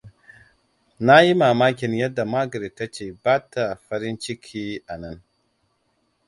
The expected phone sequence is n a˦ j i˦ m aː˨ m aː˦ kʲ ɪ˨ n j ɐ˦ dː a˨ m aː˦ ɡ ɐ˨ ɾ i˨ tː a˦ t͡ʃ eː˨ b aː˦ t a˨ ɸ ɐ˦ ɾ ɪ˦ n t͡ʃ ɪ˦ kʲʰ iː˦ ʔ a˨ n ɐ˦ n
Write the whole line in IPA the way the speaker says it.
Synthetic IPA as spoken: n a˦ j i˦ m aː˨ m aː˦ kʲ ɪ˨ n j ɐ˦ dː a˨ m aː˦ ɡ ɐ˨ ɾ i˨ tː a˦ t͡ʃ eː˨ b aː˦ t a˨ ɸ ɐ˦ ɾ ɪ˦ n t͡ʃ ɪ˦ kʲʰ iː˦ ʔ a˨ n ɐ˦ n